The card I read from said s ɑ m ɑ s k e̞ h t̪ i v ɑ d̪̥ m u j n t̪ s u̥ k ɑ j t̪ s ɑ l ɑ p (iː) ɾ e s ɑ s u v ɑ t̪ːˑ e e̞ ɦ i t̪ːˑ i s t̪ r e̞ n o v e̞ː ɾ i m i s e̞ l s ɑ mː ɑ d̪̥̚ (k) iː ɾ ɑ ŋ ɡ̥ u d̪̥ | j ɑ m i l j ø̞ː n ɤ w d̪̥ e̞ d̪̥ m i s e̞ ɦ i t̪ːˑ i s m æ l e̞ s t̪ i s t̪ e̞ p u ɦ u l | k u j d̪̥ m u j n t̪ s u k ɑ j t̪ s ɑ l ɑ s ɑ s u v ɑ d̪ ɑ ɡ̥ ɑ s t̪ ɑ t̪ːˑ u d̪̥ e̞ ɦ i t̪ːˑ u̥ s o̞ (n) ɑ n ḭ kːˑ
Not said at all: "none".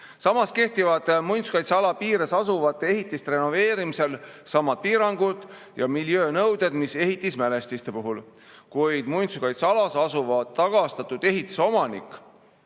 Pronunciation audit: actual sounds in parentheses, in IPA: iː, p, m

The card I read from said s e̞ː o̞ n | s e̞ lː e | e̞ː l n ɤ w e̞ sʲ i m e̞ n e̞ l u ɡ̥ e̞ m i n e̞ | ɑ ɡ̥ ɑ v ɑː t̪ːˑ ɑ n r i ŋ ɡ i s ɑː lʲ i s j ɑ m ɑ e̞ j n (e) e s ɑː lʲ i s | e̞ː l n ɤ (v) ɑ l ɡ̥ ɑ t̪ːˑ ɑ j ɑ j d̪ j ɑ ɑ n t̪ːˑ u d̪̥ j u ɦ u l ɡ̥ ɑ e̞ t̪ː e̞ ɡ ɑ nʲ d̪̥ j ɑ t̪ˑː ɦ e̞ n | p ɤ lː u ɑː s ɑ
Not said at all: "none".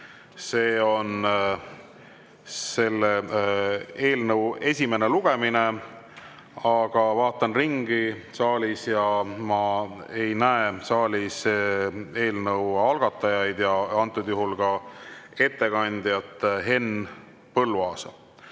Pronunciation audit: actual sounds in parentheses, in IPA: æ, w

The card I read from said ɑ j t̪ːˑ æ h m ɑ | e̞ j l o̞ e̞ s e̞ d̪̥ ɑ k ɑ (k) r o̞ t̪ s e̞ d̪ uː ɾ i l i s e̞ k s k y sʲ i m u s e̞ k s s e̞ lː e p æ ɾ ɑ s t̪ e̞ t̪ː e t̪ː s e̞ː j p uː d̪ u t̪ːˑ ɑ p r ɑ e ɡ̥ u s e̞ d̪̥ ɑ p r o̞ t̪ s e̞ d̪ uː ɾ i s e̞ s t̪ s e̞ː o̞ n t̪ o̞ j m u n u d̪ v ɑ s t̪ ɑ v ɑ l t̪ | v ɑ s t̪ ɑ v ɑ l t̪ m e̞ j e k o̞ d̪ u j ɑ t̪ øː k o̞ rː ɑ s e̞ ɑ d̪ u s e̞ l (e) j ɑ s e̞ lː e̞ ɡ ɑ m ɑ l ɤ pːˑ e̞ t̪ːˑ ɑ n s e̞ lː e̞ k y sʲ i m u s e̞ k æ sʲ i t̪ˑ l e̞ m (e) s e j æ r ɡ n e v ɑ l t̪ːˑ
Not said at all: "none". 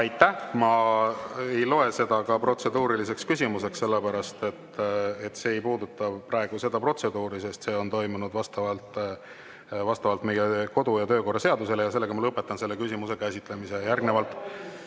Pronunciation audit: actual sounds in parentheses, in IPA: p, e, i

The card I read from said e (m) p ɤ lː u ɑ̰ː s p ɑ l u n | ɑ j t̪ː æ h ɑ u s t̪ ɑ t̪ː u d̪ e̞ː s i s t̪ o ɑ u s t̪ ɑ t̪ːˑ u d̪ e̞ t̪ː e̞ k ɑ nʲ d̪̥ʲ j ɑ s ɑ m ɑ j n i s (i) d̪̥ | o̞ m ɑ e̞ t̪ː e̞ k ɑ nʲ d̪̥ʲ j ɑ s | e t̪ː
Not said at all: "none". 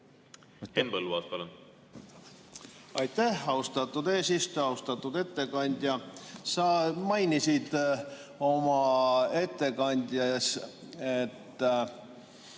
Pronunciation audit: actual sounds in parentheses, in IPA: n, i

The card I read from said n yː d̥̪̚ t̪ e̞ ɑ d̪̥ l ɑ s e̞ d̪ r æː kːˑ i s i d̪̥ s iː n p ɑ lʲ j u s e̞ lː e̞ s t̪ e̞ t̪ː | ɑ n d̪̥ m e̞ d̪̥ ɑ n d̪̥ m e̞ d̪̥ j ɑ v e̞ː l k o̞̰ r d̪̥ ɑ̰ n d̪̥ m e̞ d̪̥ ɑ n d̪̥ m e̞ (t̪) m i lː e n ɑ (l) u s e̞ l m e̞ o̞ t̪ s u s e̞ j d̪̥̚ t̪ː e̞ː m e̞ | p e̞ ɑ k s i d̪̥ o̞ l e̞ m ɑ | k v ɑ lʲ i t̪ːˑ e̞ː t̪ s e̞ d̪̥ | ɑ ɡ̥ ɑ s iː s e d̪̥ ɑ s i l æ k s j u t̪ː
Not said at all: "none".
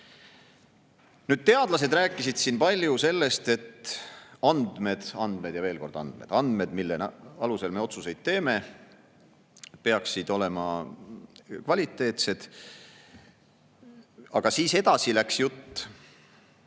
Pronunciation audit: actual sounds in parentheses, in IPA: d̪, l

